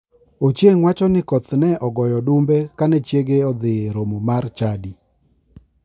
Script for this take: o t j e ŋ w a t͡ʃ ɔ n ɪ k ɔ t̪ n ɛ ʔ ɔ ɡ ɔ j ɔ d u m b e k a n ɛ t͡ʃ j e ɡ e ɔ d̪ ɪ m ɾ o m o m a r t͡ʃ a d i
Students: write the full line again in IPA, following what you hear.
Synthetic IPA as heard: o t͡ʃ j e ŋ w a t͡ʃ ɔ n ɪ k ɔ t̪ n ɛ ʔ ɔ ɡ ɔ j ɔ d u m b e k a n ɛ t͡ʃ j e ɡ e ɔ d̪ ɪ ɾ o m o m a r t͡ʃ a d i